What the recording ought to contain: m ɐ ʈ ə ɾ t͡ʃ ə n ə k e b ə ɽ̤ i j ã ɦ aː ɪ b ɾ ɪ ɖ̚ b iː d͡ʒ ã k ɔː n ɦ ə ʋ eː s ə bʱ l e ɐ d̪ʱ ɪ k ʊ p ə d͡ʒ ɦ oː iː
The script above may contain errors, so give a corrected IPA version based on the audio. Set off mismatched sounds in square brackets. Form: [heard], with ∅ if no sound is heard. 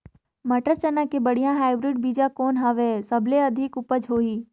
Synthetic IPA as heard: m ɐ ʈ ə ɾ t͡ʃ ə n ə k e b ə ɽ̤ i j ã ɦ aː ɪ b ɾ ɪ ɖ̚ b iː d͡ʒ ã k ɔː n ɦ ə ʋ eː s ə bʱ l e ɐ d̪ʱ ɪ k ʊ p ə d͡ʒ ɦ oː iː

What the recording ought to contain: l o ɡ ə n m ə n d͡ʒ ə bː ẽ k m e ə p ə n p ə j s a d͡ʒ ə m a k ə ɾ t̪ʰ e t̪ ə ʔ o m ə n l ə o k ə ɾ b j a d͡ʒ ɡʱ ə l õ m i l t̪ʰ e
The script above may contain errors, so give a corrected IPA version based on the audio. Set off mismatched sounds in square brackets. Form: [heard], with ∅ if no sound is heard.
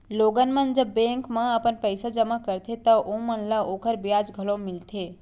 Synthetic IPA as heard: l o ɡ ə n m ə n d͡ʒ ə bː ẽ k m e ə p ə n p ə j s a d͡ʒ ə m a k ə ɾ t̪ʰ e t̪ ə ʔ o m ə n l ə o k ə ɾ b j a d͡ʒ ɡʱ ə l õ m i l t̪ʰ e

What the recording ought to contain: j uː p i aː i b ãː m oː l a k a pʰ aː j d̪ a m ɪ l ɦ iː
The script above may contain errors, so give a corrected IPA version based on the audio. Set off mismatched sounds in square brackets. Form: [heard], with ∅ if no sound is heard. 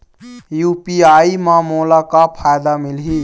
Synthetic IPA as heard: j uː p i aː i [m] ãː m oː l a k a pʰ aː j d̪ a m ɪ l ɦ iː

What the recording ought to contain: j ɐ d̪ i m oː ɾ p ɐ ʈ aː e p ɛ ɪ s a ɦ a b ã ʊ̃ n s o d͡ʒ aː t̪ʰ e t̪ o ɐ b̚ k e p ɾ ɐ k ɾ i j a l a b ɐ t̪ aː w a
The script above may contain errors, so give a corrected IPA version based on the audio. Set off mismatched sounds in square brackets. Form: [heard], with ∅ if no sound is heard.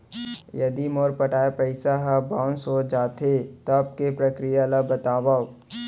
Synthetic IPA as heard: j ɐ d̪ i m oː ɾ p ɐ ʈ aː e p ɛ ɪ s a ɦ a b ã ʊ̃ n s o d͡ʒ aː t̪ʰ e t̪ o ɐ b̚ k e p ɾ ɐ k ɾ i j a l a b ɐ t̪ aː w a

